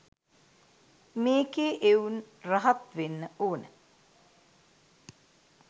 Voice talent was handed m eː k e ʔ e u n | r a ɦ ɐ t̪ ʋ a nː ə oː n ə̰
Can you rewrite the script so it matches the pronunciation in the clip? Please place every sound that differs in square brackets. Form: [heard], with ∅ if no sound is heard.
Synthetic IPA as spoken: m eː k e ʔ e u n | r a ɦ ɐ t̪ ʋ [e] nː ə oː n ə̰